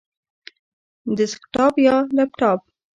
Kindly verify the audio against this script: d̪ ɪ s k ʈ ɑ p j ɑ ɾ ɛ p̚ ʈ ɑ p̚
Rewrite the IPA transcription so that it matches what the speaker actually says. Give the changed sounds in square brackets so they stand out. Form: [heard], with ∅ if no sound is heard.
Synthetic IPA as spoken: d̪ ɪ s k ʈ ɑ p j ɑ [l] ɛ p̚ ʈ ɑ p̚

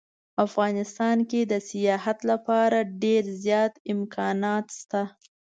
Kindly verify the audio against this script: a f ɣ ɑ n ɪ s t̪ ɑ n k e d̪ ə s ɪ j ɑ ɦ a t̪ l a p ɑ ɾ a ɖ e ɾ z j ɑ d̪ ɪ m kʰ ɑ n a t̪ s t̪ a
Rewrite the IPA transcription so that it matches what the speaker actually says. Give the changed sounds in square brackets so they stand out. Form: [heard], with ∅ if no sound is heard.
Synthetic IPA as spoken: a f ɣ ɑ n ɪ s t̪ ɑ n k e d̪ ə s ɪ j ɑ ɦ a t̪ l a p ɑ ɾ a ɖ e ɾ z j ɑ [t̪] ɪ m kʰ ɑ n [ɑ] t̪ s t̪ a

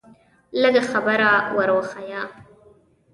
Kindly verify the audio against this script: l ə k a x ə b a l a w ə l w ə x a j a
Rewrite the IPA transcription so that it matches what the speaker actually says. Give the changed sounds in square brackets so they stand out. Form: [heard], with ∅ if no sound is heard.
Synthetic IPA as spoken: l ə [ɡ] a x [a] b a [ɾ] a w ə [ɾ] w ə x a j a

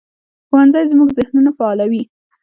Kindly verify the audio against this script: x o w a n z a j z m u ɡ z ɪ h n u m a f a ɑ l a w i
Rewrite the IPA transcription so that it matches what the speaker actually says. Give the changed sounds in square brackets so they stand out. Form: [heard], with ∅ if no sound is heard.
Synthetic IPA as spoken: x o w a n z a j z m u ɡ z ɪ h n u [n] a f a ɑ l a w i

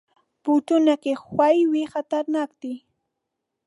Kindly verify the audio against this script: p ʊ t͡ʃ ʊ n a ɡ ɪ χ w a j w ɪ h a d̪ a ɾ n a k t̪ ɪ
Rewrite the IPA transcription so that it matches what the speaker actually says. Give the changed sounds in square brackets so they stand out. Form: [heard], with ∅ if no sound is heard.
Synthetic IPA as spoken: p ʊ t͡ʃ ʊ n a [k] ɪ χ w a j w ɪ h a [t̪] a ɾ n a k t̪ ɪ

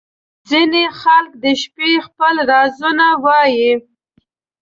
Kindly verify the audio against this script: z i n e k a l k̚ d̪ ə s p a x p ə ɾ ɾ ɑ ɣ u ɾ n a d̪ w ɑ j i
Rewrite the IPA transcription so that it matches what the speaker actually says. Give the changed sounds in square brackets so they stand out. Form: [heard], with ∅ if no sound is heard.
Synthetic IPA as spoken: z i n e [x] a l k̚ d̪ ə [ʃ] p [e] x p ə [l] ɾ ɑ [z] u [∅] n a [∅] w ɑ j i

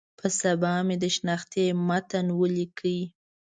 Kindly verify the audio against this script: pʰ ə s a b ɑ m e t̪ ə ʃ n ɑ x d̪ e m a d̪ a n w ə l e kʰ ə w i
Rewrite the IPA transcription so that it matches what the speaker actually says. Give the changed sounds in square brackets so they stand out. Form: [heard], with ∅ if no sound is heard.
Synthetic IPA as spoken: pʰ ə s a b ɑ m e [d̪] ə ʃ n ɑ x [t̪] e m a [t̪] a n w ə l [i] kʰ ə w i

